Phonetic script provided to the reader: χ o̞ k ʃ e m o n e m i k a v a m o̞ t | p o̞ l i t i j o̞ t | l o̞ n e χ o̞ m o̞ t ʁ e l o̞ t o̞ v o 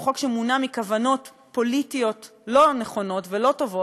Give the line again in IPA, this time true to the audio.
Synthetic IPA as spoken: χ o̞ k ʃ e m u n a m i k a v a n o̞ t | p o̞ l i t i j o̞ t | l o̞ n e χ o̞ n o̞ t v e l o̞ t o̞ v o